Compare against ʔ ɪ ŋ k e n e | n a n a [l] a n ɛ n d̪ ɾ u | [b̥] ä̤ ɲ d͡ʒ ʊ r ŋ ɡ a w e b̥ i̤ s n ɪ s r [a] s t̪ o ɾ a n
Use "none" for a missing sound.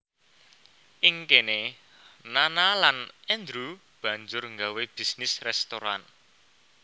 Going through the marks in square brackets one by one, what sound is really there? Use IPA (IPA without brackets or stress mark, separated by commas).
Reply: l, b̥, ɛ